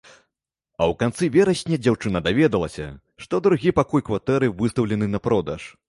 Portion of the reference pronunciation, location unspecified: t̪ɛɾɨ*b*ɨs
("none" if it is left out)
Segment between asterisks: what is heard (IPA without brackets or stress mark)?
v